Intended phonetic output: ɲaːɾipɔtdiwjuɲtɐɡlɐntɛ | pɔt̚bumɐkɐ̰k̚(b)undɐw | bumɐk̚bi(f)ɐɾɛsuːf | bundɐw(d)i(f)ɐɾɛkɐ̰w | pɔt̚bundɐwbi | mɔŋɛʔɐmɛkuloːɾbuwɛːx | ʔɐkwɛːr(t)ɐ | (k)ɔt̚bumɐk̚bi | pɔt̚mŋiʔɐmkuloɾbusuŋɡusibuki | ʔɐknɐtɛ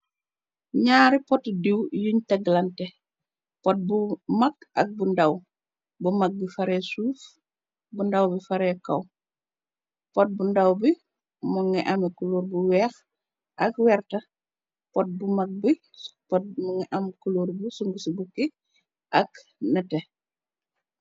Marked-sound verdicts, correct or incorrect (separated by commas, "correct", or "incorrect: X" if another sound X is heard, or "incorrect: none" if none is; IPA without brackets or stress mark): correct, correct, incorrect: b, correct, correct, incorrect: p